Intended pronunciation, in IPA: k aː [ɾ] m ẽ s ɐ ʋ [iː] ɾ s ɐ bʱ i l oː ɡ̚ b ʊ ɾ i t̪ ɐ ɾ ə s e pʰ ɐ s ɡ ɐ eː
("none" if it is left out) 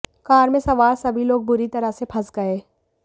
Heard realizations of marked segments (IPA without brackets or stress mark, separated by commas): ɾ, aː